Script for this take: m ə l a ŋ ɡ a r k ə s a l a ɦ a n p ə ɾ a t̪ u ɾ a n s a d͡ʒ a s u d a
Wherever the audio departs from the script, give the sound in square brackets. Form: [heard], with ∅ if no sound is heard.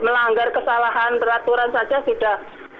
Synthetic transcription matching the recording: m ə l a ŋ ɡ a r k ə s a l a ɦ a n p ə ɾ a t̪ u ɾ a n s a d͡ʒ a s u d a